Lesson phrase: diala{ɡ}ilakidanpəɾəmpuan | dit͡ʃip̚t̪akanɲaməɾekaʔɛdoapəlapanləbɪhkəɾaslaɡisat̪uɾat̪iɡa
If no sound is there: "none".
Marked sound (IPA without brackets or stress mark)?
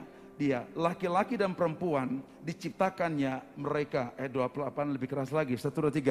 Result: k